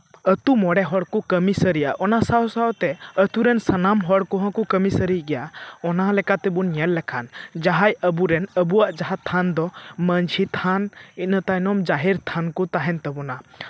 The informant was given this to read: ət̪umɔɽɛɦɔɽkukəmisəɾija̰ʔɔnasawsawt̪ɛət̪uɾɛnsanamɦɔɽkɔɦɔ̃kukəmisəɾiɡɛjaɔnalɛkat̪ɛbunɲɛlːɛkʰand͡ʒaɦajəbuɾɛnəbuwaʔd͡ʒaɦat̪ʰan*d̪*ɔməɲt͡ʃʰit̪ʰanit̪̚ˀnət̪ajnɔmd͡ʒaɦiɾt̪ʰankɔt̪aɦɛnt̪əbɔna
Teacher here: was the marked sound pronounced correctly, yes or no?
yes